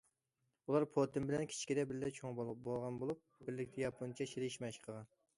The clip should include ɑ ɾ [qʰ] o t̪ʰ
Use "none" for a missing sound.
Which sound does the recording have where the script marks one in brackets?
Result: pʰ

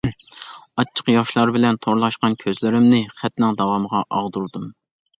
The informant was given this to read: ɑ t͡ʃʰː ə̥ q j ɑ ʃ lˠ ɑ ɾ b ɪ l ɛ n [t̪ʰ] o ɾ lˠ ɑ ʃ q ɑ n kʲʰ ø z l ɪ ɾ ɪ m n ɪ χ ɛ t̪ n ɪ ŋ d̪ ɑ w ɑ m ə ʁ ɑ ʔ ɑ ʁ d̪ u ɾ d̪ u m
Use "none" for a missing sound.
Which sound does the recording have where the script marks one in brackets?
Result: t̪ʰ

